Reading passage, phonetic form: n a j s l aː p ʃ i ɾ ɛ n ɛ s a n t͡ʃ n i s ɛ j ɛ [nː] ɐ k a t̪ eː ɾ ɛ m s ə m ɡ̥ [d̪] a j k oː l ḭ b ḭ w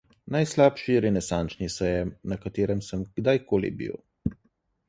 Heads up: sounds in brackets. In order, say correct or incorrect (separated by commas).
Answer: incorrect, correct